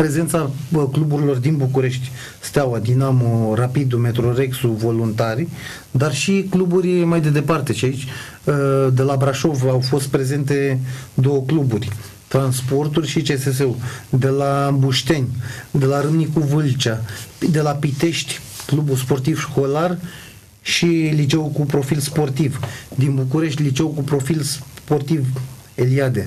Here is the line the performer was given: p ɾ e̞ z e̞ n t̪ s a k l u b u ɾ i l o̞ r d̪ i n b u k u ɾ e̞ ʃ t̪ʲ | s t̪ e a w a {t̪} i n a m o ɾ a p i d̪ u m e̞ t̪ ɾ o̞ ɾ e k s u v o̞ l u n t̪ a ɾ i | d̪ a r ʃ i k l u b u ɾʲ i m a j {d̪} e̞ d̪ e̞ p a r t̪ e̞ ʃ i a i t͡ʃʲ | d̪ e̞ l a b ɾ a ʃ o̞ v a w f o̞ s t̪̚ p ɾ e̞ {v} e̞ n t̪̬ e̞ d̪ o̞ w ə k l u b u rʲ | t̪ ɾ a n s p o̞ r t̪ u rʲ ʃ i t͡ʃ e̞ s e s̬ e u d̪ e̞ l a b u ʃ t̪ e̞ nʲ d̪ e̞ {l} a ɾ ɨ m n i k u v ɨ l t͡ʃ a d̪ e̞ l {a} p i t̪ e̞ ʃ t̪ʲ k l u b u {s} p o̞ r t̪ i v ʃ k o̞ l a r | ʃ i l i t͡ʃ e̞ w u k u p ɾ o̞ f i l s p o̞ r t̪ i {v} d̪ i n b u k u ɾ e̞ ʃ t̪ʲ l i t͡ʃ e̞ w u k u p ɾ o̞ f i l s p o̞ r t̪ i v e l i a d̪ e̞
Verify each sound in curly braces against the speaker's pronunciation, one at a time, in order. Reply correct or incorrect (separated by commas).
incorrect, correct, incorrect, correct, correct, correct, correct